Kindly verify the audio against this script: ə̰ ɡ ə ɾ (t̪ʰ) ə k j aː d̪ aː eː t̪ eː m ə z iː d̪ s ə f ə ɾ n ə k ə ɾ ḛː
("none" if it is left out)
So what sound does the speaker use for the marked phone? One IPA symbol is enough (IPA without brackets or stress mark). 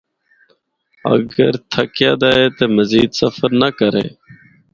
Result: t̪ʰ